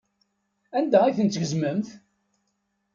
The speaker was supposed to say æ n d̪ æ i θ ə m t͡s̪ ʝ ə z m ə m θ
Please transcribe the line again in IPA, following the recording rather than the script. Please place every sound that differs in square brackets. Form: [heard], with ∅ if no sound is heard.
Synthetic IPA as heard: æ n d̪ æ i θ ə [n] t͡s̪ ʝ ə z m ə m θ